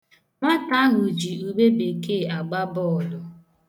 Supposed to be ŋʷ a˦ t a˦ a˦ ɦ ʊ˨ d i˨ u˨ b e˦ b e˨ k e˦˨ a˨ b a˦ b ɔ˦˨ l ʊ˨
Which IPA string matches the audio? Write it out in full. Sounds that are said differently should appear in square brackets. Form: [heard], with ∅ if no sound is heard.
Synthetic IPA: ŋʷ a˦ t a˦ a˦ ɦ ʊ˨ [d͡ʒ] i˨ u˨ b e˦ b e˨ k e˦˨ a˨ [ɡ͡b] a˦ b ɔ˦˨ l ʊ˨